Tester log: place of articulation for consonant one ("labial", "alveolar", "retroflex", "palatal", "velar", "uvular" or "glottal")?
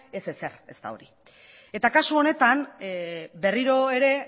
alveolar